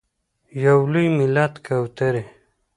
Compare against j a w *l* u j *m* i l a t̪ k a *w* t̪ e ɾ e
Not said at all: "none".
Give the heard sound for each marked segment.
l, m, w

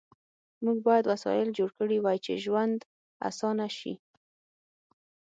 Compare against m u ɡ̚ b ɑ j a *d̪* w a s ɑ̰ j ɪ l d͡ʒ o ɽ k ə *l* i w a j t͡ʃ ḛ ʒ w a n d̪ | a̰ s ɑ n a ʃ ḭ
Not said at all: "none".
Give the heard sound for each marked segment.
d̪, ɽ

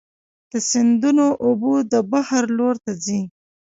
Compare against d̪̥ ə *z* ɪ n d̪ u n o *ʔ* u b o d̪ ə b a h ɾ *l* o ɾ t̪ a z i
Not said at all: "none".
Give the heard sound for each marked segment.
s, ʔ, l

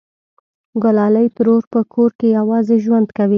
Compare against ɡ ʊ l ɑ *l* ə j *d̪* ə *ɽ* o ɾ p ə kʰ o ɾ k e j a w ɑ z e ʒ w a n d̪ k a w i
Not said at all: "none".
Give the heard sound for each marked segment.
l, t̪, ɾ

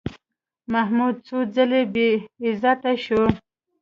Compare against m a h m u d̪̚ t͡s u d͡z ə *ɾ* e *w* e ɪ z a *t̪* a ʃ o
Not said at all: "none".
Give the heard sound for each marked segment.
l, b, t̪

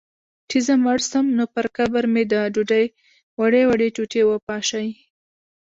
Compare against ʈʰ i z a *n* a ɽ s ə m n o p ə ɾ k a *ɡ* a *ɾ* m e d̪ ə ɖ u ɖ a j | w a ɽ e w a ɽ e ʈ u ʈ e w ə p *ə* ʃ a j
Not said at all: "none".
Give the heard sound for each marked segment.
m, b, ɾ, ɑ

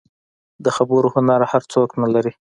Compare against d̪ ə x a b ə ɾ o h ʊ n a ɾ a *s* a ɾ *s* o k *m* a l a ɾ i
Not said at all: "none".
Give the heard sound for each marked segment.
h, t͡s, n

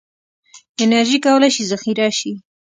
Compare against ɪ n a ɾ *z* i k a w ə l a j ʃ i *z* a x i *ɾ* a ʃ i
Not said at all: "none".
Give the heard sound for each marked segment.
ʒ, z, ɾ

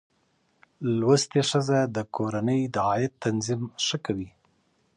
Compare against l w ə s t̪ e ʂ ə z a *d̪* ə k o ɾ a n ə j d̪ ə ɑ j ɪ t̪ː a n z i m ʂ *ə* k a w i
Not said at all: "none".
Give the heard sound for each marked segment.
d̪, ə

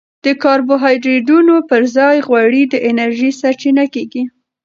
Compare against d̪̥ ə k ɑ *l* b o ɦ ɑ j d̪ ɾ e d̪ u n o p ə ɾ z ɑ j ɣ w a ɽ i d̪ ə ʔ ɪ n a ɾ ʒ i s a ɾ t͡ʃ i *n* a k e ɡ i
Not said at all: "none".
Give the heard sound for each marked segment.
ɾ, n

